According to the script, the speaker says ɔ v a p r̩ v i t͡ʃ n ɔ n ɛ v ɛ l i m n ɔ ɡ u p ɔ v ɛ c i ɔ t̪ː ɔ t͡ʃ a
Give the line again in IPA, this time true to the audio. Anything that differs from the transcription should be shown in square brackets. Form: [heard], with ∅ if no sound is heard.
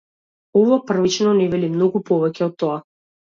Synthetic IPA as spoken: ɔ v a p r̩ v i t͡ʃ n ɔ n ɛ v ɛ l i m n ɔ ɡ u p ɔ v ɛ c [ɛ] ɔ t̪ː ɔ [∅] a